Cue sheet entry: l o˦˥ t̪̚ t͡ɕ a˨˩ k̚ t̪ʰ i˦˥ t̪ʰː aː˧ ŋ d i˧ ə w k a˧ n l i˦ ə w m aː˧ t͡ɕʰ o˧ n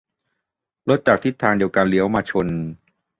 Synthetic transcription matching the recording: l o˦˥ t̪̚ t͡ɕ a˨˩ k̚ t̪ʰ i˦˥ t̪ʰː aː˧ ŋ d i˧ ə w k a˧ n l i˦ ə w m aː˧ t͡ɕʰ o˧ n